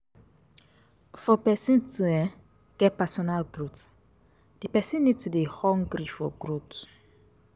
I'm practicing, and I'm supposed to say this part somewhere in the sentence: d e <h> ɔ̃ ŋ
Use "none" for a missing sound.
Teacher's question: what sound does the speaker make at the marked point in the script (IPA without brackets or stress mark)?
h